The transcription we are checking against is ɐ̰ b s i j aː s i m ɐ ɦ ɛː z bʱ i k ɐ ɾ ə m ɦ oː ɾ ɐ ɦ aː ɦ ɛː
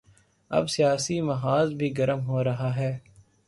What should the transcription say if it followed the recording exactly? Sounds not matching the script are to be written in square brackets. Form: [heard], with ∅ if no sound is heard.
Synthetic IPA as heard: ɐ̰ b s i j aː s i m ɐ ɦ [aː] z bʱ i [ɡ] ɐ ɾ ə m ɦ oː ɾ ɐ ɦ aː ɦ ɛː